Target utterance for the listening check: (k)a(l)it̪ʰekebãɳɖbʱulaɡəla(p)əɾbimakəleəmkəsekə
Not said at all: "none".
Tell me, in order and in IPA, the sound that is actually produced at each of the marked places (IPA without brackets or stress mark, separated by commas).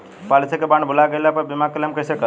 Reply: p, l, p